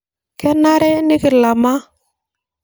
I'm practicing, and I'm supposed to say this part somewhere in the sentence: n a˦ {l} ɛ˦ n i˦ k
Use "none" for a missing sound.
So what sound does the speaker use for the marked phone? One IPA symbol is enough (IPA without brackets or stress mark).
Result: ɾ